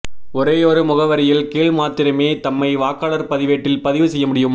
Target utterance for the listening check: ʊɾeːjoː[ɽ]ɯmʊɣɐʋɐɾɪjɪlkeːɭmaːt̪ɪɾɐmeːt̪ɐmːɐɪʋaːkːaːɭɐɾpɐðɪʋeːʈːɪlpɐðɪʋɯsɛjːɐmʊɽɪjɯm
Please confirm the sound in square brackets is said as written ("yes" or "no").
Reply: no